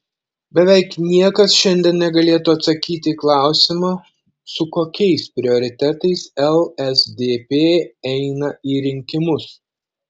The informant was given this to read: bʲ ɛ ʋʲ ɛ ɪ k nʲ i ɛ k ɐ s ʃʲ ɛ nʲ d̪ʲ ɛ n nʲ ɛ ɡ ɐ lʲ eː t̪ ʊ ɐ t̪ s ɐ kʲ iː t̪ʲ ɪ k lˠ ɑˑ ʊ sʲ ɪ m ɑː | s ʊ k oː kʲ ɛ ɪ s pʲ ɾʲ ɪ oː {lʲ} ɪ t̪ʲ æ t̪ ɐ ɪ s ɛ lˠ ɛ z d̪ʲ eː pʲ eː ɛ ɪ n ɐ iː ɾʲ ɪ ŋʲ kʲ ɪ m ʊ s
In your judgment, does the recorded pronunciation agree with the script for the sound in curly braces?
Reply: no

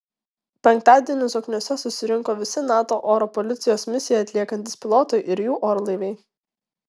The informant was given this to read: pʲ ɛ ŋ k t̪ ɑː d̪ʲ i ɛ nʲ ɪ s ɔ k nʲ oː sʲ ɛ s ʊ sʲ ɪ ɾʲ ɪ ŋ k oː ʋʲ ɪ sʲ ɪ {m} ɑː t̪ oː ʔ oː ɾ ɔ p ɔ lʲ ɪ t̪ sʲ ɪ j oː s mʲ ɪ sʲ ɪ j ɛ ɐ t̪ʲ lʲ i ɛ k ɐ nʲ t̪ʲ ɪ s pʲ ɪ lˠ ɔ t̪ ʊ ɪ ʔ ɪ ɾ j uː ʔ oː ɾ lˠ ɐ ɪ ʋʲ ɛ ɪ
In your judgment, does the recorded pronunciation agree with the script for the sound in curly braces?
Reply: no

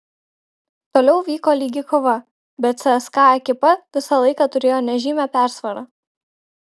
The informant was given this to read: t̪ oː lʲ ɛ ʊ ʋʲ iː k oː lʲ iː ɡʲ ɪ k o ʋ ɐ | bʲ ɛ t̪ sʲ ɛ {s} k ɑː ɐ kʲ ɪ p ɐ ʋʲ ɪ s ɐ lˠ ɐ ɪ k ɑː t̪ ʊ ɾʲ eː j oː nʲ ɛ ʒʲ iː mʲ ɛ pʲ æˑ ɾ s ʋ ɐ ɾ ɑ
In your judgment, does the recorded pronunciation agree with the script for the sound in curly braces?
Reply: yes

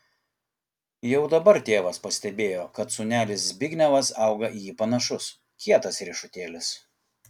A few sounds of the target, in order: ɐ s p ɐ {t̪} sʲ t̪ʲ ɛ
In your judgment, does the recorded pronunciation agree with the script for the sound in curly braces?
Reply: no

